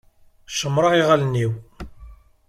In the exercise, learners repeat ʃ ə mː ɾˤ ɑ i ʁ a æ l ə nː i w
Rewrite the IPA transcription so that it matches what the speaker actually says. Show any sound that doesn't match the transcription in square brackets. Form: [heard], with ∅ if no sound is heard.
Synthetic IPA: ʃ ə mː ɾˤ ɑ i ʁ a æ l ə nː i w